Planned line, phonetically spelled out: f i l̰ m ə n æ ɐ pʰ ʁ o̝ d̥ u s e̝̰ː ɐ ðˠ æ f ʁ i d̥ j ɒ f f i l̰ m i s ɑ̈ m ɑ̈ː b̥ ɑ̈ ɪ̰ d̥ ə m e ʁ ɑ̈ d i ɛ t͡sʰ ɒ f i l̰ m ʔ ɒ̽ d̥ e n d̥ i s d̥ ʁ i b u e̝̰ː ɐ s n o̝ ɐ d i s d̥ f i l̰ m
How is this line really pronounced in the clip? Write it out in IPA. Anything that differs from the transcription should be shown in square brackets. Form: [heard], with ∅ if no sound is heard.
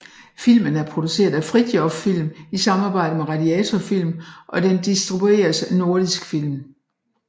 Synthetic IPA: f i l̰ m ə n æ ɐ pʰ ʁ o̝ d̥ u s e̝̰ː ɐ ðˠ æ f ʁ i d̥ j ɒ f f i l̰ m i s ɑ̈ m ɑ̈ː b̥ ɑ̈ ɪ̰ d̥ ə m e ʁ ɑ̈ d i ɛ t͡sʰ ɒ f i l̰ m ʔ ɒ̽ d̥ e n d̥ i s d̥ ʁ i b u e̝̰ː ɐ s n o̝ ɐ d i s [ɡ̥] f i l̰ m

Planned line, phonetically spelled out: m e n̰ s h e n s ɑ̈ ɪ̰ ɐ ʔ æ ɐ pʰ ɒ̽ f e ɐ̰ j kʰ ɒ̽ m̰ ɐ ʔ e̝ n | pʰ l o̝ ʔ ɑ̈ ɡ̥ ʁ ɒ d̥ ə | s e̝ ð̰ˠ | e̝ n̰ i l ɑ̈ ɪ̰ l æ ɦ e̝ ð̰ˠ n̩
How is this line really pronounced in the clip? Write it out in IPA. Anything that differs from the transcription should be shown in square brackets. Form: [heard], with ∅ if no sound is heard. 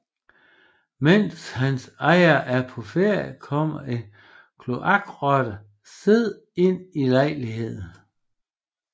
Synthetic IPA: m e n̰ s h [æ] n s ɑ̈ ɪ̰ ɐ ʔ æ ɐ pʰ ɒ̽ f e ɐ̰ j kʰ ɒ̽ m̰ ɐ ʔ e̝ n | [kʰ] l o̝ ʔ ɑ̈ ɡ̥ ʁ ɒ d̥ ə | s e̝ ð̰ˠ | e̝ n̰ i l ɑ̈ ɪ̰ l [i] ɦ e̝ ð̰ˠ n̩

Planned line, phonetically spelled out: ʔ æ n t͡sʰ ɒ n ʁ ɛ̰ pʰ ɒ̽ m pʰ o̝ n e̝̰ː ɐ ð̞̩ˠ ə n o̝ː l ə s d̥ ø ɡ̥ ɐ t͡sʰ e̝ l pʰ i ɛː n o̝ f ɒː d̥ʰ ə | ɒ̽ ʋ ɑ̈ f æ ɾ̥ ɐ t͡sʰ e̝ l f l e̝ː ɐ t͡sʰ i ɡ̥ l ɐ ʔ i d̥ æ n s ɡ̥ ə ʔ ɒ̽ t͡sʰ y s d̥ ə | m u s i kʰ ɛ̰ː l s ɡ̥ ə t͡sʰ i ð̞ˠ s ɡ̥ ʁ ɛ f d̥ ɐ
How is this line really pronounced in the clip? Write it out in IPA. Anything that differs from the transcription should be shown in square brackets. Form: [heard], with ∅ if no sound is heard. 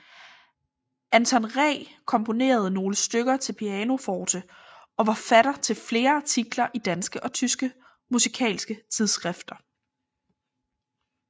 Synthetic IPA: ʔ æ n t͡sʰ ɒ n ʁ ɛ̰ [kʰ] ɒ̽ m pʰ o̝ n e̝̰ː ɐ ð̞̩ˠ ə n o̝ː l ə s d̥ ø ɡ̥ ɐ t͡sʰ e̝ l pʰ i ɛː n o̝ f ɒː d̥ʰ ə | ɒ̽ ʋ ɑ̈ f æ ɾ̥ ɐ t͡sʰ e̝ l f l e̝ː ɐ t͡sʰ i ɡ̥ l ɐ ʔ i d̥ æ n s ɡ̥ ə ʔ ɒ̽ t͡sʰ y s [ɡ̥] ə | m u s i kʰ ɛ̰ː l s ɡ̥ ə t͡sʰ i ð̞ˠ s ɡ̥ ʁ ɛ f d̥ ɐ

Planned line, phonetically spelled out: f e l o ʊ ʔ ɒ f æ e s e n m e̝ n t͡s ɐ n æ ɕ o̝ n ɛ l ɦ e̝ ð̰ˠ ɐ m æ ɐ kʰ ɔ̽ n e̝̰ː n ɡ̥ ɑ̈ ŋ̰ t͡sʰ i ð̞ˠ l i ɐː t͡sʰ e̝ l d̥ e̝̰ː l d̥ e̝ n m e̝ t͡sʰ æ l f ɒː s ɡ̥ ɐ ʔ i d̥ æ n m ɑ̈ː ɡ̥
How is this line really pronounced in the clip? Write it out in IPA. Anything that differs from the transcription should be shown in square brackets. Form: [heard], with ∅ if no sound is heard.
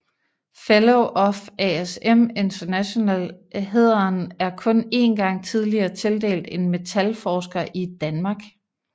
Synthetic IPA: f e l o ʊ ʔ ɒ f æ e s e [∅] m e̝ n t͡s ɐ n æ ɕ o̝ n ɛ l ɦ e̝ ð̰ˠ ɐ [n] æ ɐ kʰ ɔ̽ n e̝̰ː n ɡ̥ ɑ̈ ŋ̰ t͡sʰ i ð̞ˠ l i ɐː t͡sʰ e̝ l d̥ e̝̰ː l d̥ e̝ n m e̝ t͡sʰ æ l f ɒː s ɡ̥ ɐ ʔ i d̥ æ n m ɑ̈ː ɡ̥

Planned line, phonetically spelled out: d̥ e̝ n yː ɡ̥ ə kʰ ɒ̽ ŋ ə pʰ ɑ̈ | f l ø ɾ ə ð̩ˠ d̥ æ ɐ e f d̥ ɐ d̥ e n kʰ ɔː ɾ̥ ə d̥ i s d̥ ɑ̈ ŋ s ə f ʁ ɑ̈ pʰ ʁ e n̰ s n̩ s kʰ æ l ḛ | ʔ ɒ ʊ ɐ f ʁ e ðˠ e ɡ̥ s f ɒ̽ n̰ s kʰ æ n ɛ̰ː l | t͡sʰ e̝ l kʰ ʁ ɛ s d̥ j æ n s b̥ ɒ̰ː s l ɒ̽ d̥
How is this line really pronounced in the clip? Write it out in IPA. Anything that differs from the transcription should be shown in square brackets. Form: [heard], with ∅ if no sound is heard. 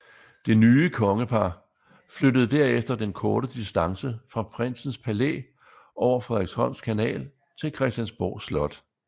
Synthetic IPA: d̥ e̝ n yː [∅] ə kʰ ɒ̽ ŋ ə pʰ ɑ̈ | f l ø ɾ ə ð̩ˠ d̥ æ ɐ e f d̥ ɐ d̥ e n kʰ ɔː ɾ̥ ə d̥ i s d̥ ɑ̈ ŋ s ə f ʁ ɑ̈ pʰ ʁ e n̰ s n̩ s [pʰ] æ l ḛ | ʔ ɒ ʊ ɐ f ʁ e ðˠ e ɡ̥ s [h] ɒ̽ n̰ s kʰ æ n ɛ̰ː l | t͡sʰ e̝ l kʰ ʁ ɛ s d̥ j æ n s b̥ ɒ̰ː s l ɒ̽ d̥

